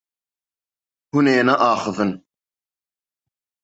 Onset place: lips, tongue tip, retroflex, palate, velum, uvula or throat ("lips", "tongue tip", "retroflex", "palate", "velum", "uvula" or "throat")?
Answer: throat